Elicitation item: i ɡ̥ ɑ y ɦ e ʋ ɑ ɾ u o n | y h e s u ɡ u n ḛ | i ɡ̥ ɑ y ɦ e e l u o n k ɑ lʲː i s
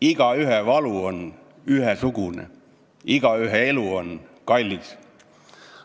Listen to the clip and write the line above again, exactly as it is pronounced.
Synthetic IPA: i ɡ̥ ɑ y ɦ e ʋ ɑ l u o n | y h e s u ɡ u n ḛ | i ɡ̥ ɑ y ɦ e e l u o n k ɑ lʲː i s